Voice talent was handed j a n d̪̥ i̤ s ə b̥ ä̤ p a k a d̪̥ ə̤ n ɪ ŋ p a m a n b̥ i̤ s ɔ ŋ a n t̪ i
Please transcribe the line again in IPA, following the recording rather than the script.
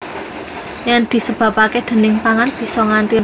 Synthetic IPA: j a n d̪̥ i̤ s ə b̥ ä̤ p a k e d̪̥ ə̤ n ɪ ŋ p a ŋ a n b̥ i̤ s ɔ ŋ a n t̪ i